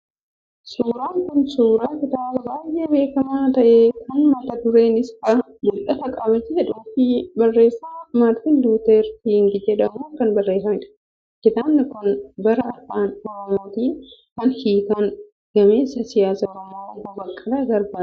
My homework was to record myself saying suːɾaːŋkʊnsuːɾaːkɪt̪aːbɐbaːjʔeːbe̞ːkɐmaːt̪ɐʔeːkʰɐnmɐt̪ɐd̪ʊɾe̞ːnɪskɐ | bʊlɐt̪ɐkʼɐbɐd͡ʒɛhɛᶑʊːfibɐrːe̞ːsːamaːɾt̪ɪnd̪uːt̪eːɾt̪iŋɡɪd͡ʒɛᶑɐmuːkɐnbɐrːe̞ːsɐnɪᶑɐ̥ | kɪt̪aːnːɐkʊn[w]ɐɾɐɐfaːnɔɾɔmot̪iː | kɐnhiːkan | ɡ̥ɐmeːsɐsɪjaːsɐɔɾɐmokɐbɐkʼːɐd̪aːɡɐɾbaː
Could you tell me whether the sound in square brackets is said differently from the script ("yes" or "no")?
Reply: yes